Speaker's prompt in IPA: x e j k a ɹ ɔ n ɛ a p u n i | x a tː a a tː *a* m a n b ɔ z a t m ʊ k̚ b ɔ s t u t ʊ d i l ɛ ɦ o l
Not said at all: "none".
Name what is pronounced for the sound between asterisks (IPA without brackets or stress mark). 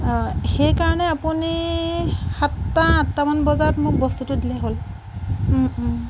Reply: a